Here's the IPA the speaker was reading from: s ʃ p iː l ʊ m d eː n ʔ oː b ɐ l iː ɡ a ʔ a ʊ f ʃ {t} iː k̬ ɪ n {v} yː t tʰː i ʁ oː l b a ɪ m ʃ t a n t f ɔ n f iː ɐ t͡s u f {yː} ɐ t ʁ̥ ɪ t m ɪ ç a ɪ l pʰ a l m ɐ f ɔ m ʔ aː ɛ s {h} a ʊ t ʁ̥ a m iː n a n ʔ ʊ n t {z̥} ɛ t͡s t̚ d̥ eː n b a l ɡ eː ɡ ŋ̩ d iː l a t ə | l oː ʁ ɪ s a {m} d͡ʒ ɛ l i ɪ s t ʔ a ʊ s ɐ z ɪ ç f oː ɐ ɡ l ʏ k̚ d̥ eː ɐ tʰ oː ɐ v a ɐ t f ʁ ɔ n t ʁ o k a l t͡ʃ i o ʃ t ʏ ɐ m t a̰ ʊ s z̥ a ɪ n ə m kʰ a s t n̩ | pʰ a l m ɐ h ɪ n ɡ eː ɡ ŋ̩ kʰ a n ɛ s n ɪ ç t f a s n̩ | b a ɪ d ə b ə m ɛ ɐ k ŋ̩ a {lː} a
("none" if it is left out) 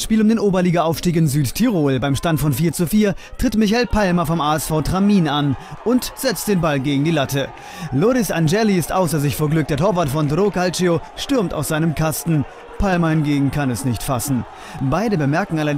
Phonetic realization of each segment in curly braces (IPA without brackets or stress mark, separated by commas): t, z, iː, f, z̥, n, l